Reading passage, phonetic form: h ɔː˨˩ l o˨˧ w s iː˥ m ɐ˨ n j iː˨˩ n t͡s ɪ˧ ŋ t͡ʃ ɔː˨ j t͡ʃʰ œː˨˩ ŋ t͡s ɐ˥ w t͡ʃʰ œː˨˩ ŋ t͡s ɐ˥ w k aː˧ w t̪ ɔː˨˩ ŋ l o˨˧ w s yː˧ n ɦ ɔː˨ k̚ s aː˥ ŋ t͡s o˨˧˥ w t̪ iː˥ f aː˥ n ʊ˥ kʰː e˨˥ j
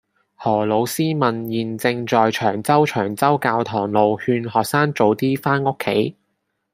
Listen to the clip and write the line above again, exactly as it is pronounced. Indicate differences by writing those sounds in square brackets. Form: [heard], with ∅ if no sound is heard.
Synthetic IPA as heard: h ɔː˨˩ l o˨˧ w s iː˥ m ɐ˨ n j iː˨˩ n t͡s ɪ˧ ŋ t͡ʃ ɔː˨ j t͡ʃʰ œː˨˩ ŋ t͡s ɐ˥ w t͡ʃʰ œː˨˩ ŋ t͡s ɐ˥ w k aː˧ w [t̪ʰ] ɔː˨˩ ŋ l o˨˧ w [h] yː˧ n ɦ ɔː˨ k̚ s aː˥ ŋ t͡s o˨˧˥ w t̪ iː˥ f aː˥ n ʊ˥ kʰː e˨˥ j

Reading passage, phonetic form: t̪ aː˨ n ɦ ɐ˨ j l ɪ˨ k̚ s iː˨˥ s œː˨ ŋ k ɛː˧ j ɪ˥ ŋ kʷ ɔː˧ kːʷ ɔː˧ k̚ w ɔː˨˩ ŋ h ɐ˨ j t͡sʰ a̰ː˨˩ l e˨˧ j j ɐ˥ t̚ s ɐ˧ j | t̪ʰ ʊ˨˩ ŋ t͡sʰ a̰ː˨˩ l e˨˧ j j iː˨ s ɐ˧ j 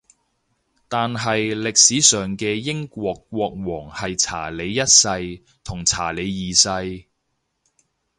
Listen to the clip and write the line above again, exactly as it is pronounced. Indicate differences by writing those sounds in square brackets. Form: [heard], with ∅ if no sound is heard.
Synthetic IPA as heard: t̪ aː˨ n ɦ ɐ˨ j l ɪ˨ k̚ s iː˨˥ s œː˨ ŋ k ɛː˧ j ɪ˥ ŋ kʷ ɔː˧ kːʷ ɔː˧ k̚ w ɔː˨˩ ŋ h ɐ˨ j t͡sʰ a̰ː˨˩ l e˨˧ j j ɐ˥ t̚ s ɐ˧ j | t̪ʰ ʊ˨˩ ŋ t͡sʰ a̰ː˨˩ l e˨˧ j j iː˨ s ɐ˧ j

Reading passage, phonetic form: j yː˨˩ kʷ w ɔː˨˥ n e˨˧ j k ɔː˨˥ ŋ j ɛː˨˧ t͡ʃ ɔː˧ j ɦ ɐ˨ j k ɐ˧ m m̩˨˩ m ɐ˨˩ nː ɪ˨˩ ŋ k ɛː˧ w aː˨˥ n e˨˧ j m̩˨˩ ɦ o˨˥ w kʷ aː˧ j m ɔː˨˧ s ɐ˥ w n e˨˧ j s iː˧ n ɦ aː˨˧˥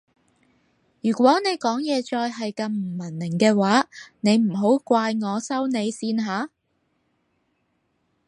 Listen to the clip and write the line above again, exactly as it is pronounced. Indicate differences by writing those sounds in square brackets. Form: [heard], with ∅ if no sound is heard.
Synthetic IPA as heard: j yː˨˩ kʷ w ɔː˨˥ n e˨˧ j k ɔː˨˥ ŋ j ɛː˨˧ t͡ʃ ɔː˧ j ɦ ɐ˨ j k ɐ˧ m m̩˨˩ m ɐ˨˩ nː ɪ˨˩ ŋ k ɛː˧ w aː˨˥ n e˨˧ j m̩˨˩ ɦ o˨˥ w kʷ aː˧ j [ŋ] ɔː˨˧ s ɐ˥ w n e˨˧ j s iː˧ n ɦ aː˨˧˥

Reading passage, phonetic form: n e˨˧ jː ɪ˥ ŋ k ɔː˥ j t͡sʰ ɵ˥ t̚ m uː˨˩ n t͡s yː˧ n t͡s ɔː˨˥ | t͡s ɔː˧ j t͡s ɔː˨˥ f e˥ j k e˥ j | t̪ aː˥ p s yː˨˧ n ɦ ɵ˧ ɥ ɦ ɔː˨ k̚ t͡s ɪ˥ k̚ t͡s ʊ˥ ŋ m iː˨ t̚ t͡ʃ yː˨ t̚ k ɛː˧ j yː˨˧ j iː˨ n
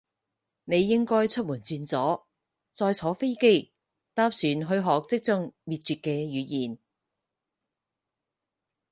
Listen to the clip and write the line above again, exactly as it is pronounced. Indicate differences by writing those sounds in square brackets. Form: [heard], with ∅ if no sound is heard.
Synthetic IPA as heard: n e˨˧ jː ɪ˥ ŋ k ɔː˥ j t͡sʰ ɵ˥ t̚ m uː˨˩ n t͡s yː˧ n t͡s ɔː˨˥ | t͡s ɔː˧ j [t͡sʰ] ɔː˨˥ f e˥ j k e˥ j | t̪ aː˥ p s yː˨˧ n ɦ ɵ˧ ɥ ɦ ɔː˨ k̚ t͡s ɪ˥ k̚ t͡s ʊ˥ ŋ m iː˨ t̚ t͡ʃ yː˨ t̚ k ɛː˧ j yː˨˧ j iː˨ n

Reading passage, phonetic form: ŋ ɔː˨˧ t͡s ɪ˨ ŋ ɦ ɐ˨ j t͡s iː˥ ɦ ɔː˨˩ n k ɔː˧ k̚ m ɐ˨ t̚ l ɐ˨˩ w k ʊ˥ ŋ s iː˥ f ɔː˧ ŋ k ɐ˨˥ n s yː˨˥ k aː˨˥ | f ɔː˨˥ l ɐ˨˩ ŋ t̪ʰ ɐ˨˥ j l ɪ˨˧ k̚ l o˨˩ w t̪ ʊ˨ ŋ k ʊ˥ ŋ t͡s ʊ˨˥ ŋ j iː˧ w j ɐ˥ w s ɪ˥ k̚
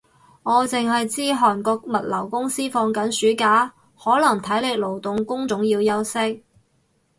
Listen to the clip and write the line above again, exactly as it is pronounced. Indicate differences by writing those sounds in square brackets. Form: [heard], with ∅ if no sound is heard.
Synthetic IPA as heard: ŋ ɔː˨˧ t͡s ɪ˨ ŋ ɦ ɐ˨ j t͡s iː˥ ɦ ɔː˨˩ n k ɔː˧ k̚ m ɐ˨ t̚ l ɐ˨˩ w k ʊ˥ ŋ s iː˥ f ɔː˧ ŋ k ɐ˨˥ n s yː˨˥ k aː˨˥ | [h] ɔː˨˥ l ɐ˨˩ ŋ t̪ʰ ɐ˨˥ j l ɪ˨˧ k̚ l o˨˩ w t̪ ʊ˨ ŋ k ʊ˥ ŋ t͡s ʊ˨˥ ŋ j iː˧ w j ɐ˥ w s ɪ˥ k̚

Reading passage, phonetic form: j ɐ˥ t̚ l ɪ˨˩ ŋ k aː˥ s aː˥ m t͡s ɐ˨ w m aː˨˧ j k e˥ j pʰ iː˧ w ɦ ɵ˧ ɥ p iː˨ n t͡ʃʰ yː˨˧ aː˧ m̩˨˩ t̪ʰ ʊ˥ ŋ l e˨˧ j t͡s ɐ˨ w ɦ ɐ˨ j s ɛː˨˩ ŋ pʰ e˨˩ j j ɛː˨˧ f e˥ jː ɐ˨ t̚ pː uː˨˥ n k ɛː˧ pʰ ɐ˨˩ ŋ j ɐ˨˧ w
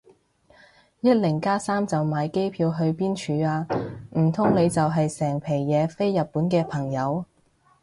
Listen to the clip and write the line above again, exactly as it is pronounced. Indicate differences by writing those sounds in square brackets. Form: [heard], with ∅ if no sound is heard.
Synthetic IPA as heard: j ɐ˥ t̚ l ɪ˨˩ ŋ k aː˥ s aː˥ m t͡s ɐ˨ w m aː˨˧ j k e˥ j pʰ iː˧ w ɦ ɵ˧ ɥ p [iː˥] n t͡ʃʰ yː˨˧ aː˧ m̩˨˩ t̪ʰ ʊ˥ ŋ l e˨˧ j t͡s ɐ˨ w ɦ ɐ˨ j s ɛː˨˩ ŋ pʰ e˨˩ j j ɛː˨˧ f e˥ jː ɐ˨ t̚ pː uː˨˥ n k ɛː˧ pʰ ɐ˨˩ ŋ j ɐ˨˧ w

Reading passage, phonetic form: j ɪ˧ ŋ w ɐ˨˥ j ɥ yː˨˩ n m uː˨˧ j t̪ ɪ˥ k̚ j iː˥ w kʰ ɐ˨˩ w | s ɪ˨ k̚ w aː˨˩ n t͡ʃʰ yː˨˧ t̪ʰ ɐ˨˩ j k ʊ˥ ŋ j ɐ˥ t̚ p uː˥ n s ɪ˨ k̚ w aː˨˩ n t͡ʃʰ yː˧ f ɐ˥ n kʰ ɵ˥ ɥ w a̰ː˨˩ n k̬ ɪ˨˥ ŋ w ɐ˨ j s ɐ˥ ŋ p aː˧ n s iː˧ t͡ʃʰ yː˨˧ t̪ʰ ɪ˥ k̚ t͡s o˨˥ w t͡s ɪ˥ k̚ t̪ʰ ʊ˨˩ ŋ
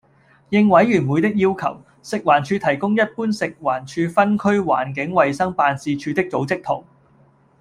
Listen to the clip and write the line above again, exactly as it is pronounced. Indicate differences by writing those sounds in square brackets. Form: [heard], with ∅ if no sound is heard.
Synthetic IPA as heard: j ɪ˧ ŋ w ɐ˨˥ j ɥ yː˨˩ n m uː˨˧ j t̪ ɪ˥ k̚ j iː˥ w kʰ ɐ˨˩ w | s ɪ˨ k̚ w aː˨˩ n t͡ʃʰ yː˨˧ t̪ʰ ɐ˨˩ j k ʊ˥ ŋ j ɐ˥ t̚ p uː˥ n s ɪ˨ k̚ w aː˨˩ n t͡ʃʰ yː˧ f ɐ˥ n kʰ ɵ˥ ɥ w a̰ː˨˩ n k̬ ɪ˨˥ ŋ w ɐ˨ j s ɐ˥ ŋ p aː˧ n s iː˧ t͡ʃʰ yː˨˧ [t̪] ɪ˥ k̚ t͡s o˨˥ w t͡s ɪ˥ k̚ t̪ʰ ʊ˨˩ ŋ

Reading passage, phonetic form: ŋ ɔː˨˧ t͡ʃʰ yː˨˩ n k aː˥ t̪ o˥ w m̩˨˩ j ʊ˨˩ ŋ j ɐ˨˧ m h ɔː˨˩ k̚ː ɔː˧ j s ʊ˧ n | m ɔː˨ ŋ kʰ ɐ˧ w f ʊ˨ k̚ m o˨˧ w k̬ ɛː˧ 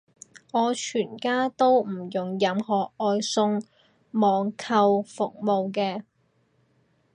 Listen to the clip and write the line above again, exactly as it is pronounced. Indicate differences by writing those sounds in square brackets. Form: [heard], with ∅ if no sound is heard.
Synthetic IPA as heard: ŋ ɔː˨˧ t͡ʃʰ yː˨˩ n k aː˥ t̪ o˥ w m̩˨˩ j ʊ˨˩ ŋ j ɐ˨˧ m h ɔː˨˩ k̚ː ɔː˧ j s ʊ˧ [ŋ] | m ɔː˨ ŋ kʰ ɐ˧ w f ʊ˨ k̚ m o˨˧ w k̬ ɛː˧

